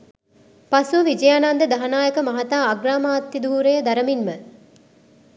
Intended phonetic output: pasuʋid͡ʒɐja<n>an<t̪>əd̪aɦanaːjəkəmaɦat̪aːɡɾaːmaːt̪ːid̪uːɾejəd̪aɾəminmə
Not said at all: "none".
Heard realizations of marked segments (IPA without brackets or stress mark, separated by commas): n, d̪